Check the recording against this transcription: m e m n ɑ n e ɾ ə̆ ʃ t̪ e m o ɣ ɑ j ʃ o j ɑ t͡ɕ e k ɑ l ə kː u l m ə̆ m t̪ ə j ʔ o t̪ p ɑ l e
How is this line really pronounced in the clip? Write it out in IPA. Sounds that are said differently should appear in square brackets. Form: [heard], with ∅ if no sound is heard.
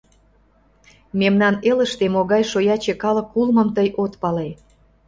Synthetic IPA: m e m n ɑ n e [l] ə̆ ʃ t̪ e m o ɣ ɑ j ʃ o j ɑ t͡ɕ e k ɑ l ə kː u l m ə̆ m t̪ ə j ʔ o t̪ p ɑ l e

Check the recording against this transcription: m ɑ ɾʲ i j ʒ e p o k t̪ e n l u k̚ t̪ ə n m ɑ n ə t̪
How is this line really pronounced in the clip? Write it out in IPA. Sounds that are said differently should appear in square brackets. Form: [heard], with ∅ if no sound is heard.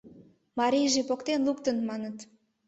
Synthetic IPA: m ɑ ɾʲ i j ʒ e p o k t̪ e n l u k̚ t̪ ə n m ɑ n ə t̪

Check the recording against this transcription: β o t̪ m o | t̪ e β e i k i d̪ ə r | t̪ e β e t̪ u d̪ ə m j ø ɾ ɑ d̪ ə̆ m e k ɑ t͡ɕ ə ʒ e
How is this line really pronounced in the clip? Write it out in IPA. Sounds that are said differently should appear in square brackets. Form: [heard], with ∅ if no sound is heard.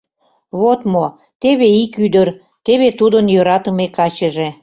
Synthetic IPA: β o t̪ m o | t̪ e β e i k [y] d̪ ə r | t̪ e β e t̪ u d̪ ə [n] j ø ɾ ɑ [t̪] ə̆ m e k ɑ t͡ɕ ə ʒ e

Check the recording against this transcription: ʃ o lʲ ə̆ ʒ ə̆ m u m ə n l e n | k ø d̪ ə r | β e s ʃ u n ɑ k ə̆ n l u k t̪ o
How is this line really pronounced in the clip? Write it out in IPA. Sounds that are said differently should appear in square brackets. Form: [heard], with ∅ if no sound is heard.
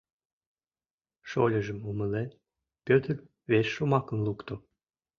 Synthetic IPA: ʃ o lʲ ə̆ ʒ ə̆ m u m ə [∅] l e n | [p] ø [t̪] ə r | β e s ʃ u [m] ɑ k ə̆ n l u k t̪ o

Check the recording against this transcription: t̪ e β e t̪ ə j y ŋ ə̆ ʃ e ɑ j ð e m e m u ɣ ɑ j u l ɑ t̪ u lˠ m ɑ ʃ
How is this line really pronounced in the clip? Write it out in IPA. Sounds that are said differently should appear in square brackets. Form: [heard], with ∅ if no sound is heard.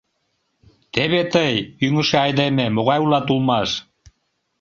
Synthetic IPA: t̪ e β e t̪ ə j y ŋ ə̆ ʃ e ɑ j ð e m e m [o] ɣ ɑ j u l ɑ t̪ u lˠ m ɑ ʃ

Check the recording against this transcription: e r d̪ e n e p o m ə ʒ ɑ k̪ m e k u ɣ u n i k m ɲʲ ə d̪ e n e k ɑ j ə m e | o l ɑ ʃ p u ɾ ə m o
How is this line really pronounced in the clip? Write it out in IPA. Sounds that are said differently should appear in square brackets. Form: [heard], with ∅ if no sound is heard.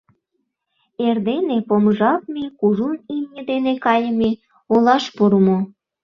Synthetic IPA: e r d̪ e n e p o m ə ʒ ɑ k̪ m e k u [ʒ] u n i [∅] m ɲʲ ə d̪ e n e k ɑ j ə m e | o l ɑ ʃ p u ɾ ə m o

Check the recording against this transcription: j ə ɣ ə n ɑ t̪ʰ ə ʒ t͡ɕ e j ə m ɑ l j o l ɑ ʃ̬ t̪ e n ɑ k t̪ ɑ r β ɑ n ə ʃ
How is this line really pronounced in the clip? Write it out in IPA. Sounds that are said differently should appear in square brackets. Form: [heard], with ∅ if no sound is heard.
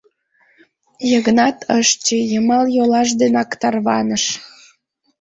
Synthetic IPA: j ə ɣ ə n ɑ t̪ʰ ə [ʃ] t͡ɕ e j ə m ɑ l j o l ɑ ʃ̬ [d̪] e n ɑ k t̪ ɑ r β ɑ n ə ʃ

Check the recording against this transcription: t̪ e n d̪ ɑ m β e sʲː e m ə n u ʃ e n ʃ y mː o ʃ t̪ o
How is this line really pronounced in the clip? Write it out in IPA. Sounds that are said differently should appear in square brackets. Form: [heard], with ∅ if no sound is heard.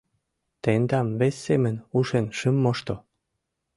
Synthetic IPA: t̪ e n d̪ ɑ m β e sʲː e m ə n u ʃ e n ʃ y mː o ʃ t̪ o

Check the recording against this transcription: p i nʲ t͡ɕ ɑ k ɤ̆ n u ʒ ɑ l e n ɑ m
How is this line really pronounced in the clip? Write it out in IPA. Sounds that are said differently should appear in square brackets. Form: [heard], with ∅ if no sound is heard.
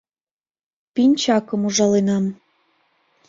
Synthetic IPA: p i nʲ t͡ɕ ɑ k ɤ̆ [m] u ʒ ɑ l e n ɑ m

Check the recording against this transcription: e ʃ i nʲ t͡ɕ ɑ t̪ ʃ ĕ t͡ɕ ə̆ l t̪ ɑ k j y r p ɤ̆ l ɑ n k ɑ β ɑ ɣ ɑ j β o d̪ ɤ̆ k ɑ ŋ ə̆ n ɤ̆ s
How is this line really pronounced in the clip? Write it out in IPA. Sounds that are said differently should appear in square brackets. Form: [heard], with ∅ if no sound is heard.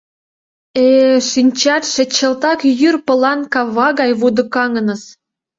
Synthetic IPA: e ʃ i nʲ t͡ɕ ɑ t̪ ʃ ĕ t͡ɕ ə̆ l t̪ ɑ k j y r p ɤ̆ l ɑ n k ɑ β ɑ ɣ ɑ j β [u] d̪ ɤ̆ k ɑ ŋ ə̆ n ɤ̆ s

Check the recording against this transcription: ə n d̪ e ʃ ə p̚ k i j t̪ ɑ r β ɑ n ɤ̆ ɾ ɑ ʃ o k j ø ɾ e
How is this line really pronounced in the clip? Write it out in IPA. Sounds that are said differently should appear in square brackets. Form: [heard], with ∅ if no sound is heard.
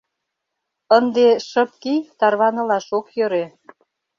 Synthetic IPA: ə n d̪ e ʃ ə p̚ k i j t̪ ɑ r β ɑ n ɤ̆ [l] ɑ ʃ o k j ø ɾ e

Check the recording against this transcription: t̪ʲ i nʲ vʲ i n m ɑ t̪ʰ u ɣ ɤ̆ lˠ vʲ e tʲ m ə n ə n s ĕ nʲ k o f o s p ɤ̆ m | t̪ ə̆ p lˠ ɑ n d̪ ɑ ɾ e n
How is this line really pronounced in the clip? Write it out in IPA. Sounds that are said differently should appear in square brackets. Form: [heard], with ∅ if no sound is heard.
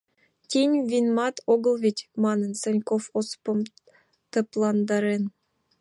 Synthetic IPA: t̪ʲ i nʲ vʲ i n m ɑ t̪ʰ [o] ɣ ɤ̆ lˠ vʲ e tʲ m [ɑ] n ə n s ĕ nʲ k o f o s p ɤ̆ m | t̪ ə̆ p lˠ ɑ n d̪ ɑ ɾ e n

